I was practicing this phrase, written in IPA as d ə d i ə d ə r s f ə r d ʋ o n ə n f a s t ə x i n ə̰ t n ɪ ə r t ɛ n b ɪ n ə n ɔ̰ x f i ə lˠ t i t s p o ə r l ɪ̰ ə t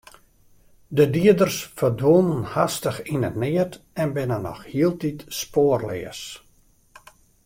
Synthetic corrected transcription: d ə d i ə d ə r s f ə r d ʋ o n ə n h a s t ə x i n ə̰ t n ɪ ə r t ɛ n b ɪ n ə n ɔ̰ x h i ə lˠ t i t s p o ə r l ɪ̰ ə s